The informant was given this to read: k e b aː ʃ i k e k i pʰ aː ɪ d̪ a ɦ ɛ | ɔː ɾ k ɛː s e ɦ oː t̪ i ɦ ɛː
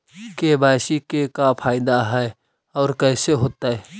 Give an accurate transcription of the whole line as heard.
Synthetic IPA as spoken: k e b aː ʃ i k e k a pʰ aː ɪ d̪ a ɦ ɛ | ɔː ɾ k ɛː s e ɦ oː t̪ a ɦ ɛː